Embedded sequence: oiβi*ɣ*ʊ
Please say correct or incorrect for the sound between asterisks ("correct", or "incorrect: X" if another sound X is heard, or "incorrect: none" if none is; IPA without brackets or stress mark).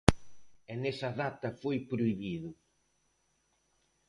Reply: incorrect: ð